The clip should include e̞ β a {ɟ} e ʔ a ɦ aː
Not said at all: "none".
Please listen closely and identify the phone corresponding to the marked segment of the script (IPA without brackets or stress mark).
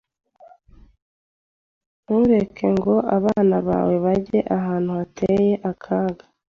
ɟ